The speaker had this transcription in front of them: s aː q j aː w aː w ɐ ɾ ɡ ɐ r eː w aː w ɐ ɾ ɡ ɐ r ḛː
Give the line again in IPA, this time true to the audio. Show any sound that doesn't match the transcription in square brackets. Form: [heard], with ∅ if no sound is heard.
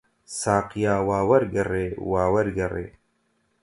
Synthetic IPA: s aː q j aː w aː w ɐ ɾ ɡ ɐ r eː w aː w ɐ ɾ ɡ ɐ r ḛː